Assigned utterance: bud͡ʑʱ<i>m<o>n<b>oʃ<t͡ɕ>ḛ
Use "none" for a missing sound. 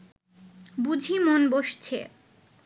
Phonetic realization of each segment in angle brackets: i, o, b, t͡ɕʰ

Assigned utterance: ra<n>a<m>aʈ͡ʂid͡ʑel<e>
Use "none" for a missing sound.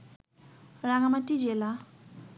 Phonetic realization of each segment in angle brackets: ŋ, m, a

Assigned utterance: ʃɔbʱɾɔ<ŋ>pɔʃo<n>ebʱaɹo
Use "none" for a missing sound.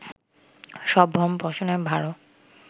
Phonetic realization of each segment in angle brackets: m, n

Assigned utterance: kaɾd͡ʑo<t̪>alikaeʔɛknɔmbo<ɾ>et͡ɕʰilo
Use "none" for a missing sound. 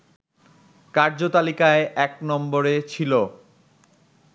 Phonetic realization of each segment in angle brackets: t̪, ɾ

